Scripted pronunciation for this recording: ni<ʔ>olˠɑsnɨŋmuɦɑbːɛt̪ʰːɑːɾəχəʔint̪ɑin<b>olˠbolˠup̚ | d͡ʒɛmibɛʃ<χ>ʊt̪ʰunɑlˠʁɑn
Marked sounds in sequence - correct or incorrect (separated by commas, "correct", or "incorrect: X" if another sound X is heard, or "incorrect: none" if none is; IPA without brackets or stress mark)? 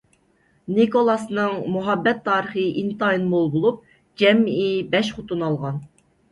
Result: incorrect: k, incorrect: m, correct